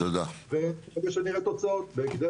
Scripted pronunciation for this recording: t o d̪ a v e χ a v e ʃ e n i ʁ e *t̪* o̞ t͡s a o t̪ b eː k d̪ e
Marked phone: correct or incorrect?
correct